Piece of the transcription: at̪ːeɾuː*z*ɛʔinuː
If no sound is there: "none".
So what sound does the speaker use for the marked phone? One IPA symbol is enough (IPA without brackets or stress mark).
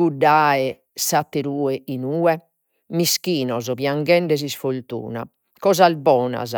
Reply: none